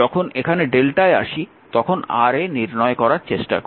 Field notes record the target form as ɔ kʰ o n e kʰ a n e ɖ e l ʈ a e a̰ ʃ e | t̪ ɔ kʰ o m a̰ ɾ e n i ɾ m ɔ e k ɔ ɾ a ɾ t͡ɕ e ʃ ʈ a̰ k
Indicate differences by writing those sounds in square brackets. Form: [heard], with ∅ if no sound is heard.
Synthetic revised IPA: ɔ kʰ o n e kʰ a n e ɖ e l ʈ a e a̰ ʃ [i] | t̪ ɔ kʰ o [n] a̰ ɾ e n i ɾ [n] ɔ e k ɔ ɾ a ɾ t͡ɕ e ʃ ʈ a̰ k